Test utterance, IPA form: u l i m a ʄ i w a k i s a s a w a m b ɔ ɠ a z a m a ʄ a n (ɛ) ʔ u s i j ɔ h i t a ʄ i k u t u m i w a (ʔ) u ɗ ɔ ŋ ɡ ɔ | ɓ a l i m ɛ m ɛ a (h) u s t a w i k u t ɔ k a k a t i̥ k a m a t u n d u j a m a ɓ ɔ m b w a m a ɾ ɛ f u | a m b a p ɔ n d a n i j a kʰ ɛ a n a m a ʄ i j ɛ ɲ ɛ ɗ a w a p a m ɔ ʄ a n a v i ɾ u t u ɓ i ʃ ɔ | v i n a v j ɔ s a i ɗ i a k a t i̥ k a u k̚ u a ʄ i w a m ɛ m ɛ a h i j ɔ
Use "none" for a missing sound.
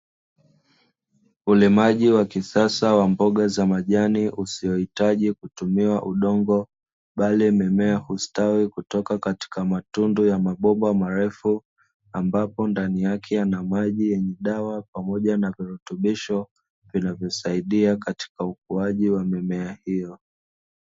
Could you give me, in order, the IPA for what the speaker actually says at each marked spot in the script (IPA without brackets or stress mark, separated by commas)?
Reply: i, ʔ, h